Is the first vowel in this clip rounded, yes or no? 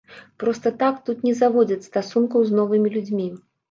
yes